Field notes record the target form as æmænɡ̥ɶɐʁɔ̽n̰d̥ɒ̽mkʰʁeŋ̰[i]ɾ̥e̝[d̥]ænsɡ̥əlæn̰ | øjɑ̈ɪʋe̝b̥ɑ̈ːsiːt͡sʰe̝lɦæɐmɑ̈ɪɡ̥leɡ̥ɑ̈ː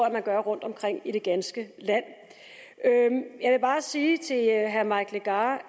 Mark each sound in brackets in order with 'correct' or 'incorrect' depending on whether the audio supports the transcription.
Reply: correct, incorrect

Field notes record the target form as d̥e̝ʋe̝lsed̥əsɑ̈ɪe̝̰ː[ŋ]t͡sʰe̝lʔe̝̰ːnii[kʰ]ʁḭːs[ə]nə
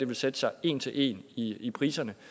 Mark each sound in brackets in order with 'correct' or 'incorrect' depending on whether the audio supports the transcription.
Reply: incorrect, incorrect, incorrect

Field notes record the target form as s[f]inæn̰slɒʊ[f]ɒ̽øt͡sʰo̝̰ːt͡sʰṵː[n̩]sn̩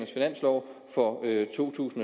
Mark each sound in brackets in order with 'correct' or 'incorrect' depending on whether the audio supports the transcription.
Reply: correct, correct, incorrect

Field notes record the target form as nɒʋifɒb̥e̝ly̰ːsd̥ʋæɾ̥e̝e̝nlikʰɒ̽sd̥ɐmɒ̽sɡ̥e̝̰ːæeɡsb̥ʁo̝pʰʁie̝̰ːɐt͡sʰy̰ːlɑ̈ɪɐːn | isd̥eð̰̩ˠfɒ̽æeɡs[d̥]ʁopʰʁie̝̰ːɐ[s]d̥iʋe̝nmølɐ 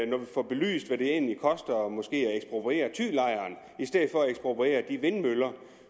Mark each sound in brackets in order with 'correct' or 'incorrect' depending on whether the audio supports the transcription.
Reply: incorrect, incorrect

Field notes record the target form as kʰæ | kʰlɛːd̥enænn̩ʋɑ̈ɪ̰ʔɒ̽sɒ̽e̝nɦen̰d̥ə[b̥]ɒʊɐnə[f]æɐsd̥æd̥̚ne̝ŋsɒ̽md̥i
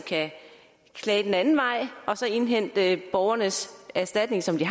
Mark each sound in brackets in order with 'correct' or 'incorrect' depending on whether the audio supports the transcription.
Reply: correct, incorrect

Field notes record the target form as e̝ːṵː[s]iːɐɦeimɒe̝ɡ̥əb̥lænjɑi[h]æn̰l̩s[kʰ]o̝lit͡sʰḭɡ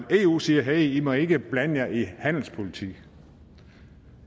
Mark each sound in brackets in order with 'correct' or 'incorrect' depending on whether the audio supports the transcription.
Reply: correct, correct, incorrect

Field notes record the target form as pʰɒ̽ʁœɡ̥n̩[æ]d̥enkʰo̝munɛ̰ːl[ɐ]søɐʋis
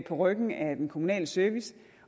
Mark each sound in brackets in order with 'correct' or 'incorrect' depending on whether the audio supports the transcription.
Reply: correct, incorrect

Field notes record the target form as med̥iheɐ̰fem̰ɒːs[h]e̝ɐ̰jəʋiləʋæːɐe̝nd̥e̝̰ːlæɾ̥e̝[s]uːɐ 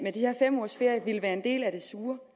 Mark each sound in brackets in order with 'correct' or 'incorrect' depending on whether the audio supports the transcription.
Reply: incorrect, correct

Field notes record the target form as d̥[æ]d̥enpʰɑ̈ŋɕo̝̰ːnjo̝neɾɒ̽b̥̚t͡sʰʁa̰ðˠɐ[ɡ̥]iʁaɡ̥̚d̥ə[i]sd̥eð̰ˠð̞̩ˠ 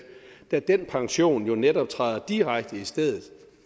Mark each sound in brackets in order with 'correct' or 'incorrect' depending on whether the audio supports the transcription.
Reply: correct, incorrect, correct

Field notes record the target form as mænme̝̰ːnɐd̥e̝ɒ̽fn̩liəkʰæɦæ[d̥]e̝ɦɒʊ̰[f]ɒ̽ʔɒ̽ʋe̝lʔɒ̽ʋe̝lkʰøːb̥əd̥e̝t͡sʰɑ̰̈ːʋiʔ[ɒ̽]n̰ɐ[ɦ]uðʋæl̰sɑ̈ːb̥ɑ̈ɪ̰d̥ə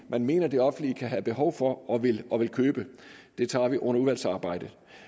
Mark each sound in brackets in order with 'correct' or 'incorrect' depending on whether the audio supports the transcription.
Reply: incorrect, correct, incorrect, incorrect

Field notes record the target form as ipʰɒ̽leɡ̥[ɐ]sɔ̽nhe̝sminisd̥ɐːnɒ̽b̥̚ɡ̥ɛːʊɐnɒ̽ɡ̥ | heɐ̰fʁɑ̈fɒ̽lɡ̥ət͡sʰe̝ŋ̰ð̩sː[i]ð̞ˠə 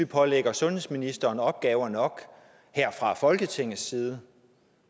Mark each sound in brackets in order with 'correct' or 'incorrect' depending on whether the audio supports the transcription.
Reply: correct, incorrect

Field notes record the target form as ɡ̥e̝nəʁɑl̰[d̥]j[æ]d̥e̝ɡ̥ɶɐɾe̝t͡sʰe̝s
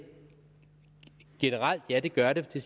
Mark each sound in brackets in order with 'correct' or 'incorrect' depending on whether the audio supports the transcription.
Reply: correct, correct

